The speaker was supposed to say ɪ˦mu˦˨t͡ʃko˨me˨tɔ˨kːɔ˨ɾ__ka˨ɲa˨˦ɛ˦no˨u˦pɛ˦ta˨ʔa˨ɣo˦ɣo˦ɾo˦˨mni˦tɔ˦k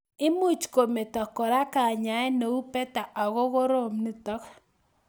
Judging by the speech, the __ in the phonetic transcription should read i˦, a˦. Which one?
a˦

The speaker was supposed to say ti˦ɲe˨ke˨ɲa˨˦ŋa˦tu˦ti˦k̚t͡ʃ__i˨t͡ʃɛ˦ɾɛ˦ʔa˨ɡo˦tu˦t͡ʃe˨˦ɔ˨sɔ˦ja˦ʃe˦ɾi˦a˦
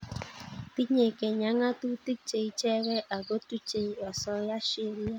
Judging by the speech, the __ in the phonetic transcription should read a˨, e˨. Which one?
e˨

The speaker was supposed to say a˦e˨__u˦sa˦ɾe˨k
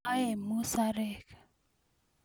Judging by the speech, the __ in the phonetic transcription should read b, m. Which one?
m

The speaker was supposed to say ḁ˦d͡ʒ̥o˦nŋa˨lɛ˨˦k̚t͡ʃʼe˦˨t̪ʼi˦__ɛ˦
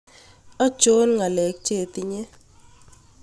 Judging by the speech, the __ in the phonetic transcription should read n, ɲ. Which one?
ɲ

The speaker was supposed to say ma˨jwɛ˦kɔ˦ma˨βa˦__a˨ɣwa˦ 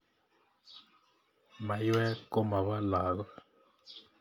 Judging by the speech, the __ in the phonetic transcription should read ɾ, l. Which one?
l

